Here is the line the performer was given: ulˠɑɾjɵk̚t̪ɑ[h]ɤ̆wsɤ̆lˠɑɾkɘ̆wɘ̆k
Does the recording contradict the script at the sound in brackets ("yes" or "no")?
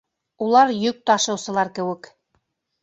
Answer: yes